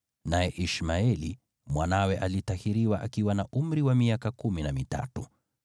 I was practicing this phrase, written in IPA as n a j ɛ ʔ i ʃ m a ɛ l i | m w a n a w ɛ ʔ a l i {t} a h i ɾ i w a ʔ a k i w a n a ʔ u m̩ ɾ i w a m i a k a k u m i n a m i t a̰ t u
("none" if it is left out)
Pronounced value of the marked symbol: t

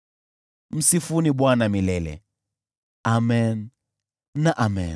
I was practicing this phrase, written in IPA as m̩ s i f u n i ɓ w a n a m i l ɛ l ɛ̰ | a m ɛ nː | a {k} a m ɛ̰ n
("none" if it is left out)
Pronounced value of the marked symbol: ʔ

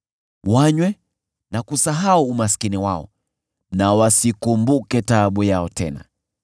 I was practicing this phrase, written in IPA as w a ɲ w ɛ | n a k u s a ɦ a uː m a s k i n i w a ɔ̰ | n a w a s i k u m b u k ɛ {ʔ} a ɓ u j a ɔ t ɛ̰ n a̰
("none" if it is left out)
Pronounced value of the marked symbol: t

